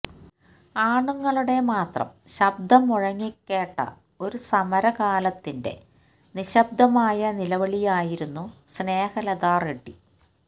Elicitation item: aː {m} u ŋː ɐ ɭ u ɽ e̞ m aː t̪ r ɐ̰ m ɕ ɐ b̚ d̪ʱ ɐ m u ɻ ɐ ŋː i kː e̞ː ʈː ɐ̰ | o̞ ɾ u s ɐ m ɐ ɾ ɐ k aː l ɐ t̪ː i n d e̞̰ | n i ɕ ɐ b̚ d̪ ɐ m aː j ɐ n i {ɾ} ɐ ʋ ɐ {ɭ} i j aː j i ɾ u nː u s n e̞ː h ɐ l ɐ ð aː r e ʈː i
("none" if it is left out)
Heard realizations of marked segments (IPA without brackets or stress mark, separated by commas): ɳ, l, ɭ